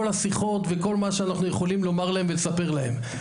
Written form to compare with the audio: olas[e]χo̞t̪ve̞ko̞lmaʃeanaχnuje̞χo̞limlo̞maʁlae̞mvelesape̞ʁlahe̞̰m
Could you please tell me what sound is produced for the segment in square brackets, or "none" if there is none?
i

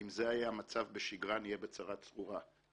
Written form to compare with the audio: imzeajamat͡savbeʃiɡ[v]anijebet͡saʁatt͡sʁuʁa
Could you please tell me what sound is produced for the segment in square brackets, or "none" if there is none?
ʁ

